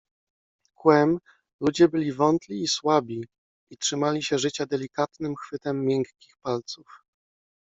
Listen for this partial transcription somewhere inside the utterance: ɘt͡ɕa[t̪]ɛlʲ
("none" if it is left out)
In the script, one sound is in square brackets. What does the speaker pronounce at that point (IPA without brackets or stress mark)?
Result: d̪